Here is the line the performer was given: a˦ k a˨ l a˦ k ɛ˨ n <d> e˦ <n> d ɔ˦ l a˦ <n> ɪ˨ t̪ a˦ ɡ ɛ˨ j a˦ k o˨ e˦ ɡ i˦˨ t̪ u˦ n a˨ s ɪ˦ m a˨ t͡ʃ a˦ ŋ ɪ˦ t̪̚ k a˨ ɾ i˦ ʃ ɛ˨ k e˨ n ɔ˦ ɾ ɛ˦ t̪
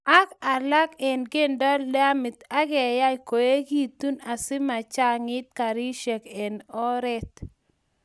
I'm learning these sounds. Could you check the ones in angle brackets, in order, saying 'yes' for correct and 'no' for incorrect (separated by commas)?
no, yes, no